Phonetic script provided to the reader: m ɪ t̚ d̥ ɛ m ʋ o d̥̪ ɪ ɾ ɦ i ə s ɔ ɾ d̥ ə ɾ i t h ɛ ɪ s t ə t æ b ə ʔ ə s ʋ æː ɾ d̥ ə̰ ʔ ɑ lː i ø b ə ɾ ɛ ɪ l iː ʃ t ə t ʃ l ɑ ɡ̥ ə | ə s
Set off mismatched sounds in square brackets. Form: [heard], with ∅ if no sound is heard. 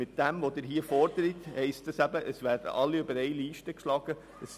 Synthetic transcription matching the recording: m ɪ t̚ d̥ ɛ m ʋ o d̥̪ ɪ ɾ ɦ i ə [f] ɔ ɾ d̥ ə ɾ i t h ɛ ɪ s t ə [s] æ b ə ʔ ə s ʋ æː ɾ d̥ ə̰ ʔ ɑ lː i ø b ə ɾ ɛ ɪ l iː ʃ t ə [k] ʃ l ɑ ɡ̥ ə | ə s